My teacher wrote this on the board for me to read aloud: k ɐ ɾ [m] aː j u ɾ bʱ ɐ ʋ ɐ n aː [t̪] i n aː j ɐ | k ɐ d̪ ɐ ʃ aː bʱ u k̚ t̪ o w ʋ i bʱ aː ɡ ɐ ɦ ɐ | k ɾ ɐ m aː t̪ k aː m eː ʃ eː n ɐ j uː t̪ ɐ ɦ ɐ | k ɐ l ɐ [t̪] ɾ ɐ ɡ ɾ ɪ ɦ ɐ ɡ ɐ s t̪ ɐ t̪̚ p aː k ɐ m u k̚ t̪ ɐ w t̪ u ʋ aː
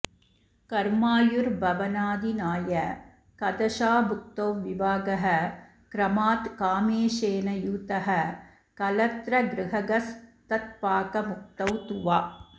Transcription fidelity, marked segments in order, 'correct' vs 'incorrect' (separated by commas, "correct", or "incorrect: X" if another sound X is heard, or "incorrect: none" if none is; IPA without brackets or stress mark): correct, incorrect: d̪, correct